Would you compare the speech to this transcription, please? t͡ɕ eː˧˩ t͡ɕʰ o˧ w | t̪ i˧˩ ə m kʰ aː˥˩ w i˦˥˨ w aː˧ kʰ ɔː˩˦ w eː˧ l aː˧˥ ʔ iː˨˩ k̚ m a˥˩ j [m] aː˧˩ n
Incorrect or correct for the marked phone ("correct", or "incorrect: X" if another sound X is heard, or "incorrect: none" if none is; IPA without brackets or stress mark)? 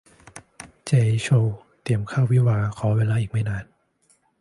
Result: incorrect: n